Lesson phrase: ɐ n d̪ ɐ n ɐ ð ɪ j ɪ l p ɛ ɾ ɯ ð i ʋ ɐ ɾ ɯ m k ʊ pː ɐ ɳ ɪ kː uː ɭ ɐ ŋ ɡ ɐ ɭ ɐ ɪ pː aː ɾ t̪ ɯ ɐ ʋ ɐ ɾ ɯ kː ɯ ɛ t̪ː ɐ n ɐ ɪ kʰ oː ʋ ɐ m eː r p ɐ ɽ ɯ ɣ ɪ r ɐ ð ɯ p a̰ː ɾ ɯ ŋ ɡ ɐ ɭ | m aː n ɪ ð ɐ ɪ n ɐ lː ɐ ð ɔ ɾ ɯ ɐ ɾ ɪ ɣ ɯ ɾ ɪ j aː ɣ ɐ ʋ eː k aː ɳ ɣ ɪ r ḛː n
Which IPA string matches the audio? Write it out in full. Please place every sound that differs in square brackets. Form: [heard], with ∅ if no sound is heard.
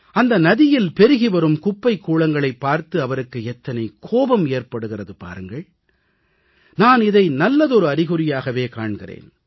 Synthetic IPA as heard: ɐ n d̪ ɐ n ɐ ð ɪ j ɪ l p ɛ ɾ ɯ [ɣ] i ʋ ɐ ɾ ɯ m k ʊ pː ɐ [∅] ɪ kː uː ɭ ɐ ŋ ɡ ɐ ɭ ɐ ɪ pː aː ɾ t̪ ɯ ɐ ʋ ɐ ɾ ɯ kː ɯ ɛ t̪ː ɐ n ɐ ɪ kʰ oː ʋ ɐ m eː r p ɐ ɽ ɯ ɣ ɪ r ɐ ð ɯ p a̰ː ɾ ɯ ŋ ɡ ɐ ɭ | [n] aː n ɪ ð ɐ ɪ n ɐ lː ɐ ð ɔ ɾ ɯ ɐ ɾ ɪ ɣ ɯ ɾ ɪ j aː ɣ ɐ ʋ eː k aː ɳ ɣ ɪ r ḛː n